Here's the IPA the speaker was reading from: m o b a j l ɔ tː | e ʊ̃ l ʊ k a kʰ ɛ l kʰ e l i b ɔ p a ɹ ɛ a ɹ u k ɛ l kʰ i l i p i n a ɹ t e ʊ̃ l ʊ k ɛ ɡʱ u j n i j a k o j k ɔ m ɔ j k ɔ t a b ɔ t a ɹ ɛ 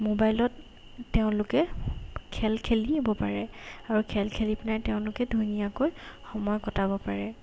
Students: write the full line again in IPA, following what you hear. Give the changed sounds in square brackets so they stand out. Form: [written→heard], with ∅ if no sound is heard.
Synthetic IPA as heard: m o b a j l ɔ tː | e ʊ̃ l ʊ k [a→ɛ] kʰ ɛ l kʰ e l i b ɔ p a ɹ ɛ a ɹ u [k→kʰ] ɛ l kʰ [i→e] l i p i n a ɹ t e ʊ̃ l ʊ k ɛ [ɡʱ→dʱ] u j n i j a k o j [k→x] ɔ m ɔ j k ɔ t a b ɔ [t→p] a ɹ ɛ

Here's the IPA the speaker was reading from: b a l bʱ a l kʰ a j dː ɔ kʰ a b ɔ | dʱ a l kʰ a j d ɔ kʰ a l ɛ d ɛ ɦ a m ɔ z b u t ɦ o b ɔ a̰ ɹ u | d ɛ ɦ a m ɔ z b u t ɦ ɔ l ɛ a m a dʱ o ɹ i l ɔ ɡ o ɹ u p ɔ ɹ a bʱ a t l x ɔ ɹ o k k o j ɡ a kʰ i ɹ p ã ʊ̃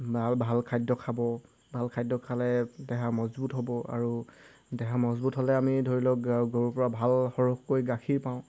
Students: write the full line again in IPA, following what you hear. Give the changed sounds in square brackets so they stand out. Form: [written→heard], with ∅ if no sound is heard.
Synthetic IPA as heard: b a l bʱ a l kʰ a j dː ɔ kʰ a b ɔ | [dʱ→bʱ] a l kʰ a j d ɔ kʰ a l ɛ d ɛ ɦ a m ɔ z b u t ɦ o b ɔ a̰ ɹ u | d ɛ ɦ a m ɔ z b u t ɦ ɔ l ɛ a m [a→i] dʱ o ɹ i l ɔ ɡ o ɹ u p ɔ ɹ a bʱ a [t→∅] l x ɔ ɹ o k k o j ɡ a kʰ i ɹ p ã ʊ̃

